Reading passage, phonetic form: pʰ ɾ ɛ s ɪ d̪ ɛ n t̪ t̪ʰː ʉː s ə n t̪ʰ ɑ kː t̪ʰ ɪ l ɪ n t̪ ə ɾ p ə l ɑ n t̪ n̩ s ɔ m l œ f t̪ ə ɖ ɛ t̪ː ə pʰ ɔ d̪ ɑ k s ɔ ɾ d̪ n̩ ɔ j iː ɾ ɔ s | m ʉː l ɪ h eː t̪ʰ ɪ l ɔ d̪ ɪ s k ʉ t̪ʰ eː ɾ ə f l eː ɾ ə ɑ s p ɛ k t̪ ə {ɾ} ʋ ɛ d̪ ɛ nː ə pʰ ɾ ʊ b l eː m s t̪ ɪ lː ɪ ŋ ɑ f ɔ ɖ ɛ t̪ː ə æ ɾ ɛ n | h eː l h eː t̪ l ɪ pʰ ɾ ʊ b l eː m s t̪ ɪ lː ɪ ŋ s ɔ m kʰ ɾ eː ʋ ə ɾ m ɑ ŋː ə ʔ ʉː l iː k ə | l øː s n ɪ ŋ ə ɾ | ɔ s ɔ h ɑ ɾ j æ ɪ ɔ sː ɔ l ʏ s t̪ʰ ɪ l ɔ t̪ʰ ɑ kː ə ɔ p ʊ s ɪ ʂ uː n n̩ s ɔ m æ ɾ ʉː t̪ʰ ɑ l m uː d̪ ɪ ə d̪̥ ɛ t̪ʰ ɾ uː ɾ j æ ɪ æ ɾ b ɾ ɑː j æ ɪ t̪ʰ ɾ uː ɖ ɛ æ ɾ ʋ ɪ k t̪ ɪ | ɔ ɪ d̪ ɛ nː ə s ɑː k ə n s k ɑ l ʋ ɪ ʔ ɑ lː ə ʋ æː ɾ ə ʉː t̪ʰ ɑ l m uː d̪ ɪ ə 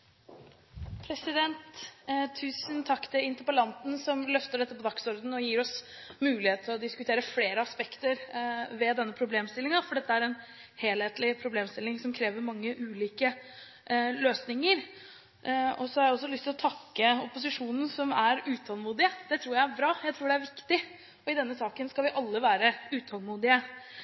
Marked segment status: correct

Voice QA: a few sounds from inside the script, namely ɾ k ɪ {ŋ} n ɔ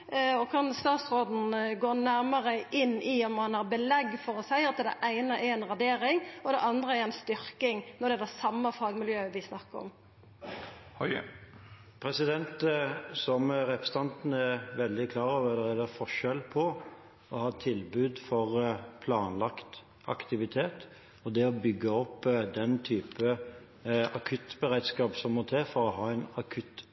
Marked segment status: correct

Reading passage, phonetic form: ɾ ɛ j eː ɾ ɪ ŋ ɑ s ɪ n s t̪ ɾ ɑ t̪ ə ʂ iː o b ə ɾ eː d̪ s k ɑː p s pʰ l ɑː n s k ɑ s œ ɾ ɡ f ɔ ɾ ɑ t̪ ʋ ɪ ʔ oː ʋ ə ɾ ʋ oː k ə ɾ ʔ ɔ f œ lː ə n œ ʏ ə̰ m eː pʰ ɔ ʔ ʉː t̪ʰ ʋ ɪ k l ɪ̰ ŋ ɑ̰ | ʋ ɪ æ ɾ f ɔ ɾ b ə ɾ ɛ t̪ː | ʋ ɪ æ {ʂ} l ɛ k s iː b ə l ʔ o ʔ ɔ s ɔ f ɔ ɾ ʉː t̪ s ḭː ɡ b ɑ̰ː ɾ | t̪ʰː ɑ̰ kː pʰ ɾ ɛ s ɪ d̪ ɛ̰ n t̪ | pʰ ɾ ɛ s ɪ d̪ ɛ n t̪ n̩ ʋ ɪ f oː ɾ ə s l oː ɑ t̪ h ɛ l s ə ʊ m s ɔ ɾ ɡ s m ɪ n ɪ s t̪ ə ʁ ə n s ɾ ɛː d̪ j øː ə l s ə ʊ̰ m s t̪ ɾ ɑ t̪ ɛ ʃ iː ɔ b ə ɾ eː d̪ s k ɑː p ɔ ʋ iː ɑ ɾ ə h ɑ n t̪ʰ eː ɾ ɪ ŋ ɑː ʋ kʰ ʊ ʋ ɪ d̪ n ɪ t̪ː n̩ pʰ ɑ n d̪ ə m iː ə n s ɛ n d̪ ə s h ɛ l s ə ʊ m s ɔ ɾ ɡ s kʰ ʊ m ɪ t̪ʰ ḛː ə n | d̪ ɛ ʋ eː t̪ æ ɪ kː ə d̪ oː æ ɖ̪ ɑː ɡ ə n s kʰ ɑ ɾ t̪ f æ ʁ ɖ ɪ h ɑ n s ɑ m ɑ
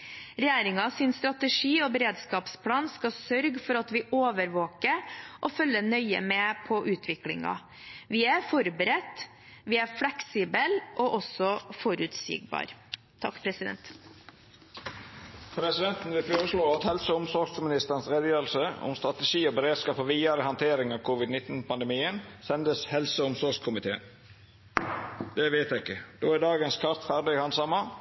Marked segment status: incorrect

